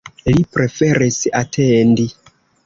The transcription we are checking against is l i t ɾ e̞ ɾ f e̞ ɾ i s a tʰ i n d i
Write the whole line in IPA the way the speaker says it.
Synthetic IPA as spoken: l i p ɾ e̞ f e̞ ɾ i s a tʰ e n d i